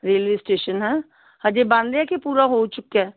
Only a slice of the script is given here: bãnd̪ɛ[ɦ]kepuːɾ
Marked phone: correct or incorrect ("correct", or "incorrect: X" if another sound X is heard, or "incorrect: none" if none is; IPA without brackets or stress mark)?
incorrect: none